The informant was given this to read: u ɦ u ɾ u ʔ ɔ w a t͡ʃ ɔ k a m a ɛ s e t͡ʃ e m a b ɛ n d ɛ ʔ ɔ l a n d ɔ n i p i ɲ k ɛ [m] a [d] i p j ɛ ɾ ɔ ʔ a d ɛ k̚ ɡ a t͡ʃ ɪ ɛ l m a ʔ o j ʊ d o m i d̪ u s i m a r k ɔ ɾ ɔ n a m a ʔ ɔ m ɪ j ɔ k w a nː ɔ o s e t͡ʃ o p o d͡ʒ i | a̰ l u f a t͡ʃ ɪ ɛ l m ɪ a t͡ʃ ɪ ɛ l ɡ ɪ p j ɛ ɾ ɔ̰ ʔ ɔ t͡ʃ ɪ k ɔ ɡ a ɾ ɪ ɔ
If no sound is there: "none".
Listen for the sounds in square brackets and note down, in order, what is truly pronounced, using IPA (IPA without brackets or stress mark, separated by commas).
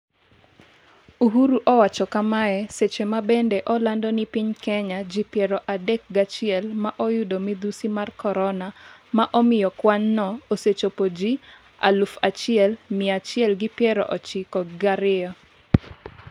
ɲ, d͡ʒ